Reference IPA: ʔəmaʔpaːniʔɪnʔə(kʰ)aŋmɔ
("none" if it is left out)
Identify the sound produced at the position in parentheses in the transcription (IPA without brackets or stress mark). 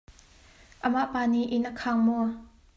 kʰ